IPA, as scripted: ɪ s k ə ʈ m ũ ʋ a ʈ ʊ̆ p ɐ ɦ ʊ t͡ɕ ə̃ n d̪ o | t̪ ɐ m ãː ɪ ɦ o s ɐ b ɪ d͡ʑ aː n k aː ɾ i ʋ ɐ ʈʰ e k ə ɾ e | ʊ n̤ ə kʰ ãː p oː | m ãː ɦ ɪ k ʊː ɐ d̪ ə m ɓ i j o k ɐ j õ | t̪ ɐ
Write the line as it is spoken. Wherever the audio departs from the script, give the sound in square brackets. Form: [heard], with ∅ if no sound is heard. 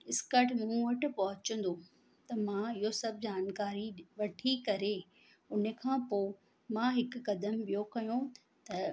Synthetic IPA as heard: ɪ s k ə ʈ m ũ ʋ [ɐ] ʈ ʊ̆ p ɐ ɦ ʊ t͡ɕ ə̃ n d̪ o | t̪ ɐ m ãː ɪ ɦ o s ɐ b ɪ d͡ʑ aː n k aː ɾ i ʋ ɐ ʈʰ [i] k [ɐ] ɾ e | ʊ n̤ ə kʰ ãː p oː | m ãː ɦ ɪ k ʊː ɐ d̪ ə m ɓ i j o k ɐ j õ | t̪ ɐ